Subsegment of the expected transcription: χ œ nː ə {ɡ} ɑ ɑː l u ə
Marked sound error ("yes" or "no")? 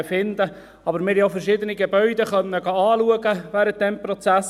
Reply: no